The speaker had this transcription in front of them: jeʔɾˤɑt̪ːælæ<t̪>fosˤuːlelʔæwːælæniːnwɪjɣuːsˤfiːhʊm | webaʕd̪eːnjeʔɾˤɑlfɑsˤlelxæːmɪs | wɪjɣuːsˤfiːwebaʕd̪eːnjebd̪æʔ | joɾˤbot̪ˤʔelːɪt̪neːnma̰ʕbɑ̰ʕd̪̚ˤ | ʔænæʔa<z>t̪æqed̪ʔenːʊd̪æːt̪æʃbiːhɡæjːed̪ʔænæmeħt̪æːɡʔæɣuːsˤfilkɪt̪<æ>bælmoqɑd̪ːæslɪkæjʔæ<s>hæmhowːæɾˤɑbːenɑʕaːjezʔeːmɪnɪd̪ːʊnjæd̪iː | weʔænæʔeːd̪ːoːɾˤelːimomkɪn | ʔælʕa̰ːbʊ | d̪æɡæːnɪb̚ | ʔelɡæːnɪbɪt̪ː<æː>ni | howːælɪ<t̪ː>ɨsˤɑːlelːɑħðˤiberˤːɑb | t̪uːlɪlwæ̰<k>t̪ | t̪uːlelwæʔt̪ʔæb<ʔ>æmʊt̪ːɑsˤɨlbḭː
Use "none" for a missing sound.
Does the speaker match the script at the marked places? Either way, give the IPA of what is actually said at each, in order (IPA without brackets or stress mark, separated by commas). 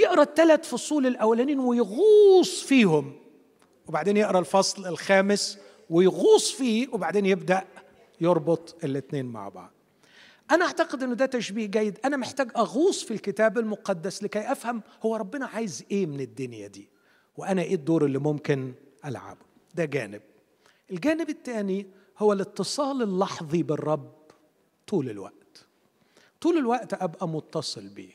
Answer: t̪, ʕ, æː, f, æː, t̪ː, ʔ, ʔ